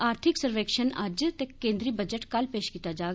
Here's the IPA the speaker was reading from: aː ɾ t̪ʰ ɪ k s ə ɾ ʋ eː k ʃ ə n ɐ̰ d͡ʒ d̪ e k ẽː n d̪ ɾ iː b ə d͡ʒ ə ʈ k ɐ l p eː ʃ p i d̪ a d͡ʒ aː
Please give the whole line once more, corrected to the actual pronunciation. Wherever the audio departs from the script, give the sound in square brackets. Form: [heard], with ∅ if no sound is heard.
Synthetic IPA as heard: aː ɾ t̪ʰ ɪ k s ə ɾ ʋ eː k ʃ ə n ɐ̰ d͡ʒ [t̪] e k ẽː n d̪ ɾ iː b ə d͡ʒ ə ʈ k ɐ l p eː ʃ [k] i [t̪] a d͡ʒ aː